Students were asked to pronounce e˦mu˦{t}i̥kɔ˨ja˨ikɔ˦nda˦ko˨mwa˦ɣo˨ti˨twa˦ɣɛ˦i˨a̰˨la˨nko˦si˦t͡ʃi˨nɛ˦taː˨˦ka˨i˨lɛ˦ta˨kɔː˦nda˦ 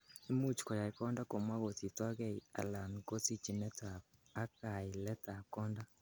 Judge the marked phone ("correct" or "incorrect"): incorrect